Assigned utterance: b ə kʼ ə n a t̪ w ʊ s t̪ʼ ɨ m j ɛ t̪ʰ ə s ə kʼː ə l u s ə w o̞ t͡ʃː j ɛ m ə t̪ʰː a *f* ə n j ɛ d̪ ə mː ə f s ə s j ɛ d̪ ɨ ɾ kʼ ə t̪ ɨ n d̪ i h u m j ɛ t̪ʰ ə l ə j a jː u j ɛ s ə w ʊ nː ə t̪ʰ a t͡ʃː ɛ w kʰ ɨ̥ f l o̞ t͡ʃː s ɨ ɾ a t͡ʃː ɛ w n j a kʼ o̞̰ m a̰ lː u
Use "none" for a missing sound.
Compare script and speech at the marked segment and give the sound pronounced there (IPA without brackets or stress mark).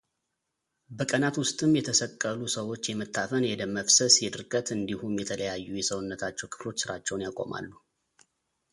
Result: f